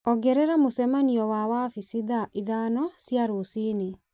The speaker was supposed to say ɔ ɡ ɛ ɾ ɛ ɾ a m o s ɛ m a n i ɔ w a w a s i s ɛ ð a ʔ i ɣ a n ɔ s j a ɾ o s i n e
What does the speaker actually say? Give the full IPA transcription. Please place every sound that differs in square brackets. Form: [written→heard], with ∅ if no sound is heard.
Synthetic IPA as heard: ɔ ɡ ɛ ɾ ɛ ɾ a m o s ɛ m a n i ɔ w a w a [s→f] i s [ɛ→i] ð a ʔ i [ɣ→ð] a n ɔ s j a ɾ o s i n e